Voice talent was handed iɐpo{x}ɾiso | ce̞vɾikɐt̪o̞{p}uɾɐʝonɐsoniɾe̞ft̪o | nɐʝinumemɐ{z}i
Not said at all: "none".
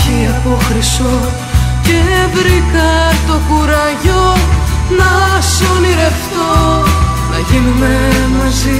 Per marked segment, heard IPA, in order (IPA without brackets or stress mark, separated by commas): x, k, z